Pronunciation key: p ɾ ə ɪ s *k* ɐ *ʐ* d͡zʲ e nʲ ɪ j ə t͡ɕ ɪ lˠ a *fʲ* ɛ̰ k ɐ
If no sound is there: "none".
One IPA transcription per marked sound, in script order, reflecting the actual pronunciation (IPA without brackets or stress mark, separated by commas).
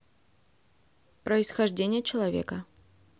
x, ʐ, vʲ